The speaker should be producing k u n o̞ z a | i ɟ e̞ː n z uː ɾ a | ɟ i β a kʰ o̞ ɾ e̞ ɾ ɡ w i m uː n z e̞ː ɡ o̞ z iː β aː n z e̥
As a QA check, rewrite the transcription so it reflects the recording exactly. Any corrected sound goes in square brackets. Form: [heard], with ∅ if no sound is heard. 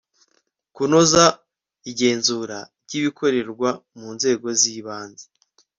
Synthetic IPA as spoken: k u n o̞ z a | i ɟ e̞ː n z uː ɾ a | ɟ i β [i] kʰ o̞ ɾ e̞ ɾ ɡ w [a] m uː n z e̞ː ɡ o̞ z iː β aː n z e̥